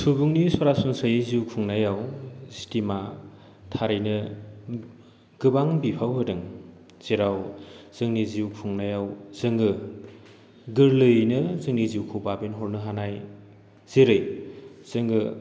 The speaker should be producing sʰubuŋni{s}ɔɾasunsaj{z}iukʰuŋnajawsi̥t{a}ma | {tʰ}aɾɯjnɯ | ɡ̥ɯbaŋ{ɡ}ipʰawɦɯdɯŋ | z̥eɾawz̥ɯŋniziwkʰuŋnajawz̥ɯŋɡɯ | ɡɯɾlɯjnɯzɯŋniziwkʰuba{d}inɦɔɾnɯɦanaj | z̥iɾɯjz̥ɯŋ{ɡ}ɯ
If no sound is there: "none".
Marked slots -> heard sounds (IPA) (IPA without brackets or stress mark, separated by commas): s, z, i, tʰ, b, b, ɡ